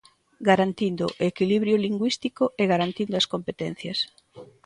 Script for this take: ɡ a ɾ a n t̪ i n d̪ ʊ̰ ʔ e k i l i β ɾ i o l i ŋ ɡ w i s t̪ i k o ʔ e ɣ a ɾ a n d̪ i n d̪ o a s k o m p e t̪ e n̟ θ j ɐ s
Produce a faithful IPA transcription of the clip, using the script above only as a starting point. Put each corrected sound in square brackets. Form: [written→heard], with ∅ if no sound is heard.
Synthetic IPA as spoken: ɡ a ɾ a n t̪ i n d̪ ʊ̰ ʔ e k i l i β ɾ [i→j] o l i ŋ ɡ w i s t̪ i k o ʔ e ɣ a ɾ a n [d̪→t̪] i n d̪ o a s k o m p e t̪ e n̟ θ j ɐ s

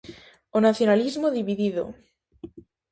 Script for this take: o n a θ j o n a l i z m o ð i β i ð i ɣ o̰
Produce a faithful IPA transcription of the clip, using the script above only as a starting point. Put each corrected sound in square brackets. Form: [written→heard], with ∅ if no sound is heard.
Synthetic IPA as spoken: o n a θ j o n a l i z m o ð i β i ð i [ɣ→ð] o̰

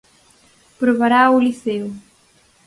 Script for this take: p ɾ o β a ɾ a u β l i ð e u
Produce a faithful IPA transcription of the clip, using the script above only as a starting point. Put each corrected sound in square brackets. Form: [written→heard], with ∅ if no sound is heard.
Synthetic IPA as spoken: p ɾ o β a ɾ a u [β→∅] l i [ð→θ] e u

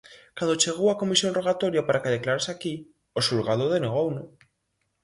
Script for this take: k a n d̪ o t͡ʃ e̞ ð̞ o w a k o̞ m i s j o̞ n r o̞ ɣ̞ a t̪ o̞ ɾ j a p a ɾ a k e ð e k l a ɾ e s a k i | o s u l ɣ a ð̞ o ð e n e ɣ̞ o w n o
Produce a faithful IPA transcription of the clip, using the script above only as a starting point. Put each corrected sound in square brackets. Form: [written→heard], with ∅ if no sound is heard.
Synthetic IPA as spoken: k a n d̪ o t͡ʃ e̞ [ð̞→ɣ̞] o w a k o̞ m i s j o̞ n r o̞ ɣ̞ a t̪ o̞ ɾ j a p a ɾ a k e ð e k l a ɾ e s a k i | o s u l ɣ a ð̞ o ð e n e ɣ̞ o w n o

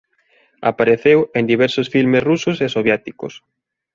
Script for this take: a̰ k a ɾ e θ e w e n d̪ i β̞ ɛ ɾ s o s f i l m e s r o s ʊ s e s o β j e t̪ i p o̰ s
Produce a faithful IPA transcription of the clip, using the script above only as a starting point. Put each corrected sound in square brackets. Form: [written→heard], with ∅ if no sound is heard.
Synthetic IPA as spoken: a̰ [k→p] a ɾ e θ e w e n d̪ i β̞ ɛ ɾ s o s f i l m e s r [o→u] s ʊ s e s o β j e t̪ i [p→k] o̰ s

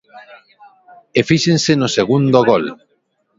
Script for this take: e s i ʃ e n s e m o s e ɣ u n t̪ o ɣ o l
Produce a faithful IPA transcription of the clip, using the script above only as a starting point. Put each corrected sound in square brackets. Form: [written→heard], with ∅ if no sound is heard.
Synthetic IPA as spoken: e [s→f] i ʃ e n s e [m→n] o s e ɣ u n [t̪→d̪] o ɣ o l

